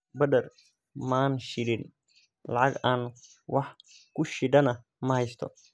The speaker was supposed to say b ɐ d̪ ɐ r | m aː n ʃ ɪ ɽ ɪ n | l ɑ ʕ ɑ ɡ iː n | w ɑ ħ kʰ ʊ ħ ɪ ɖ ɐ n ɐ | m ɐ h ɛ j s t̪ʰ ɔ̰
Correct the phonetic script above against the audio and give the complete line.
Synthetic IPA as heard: b ɐ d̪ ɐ r | m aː n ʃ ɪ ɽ ɪ n | l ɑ ʕ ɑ ɡ aː n | w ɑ ħ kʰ ʊ ʃ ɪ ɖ ɐ n ɐ | m ɐ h ɛ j s t̪ʰ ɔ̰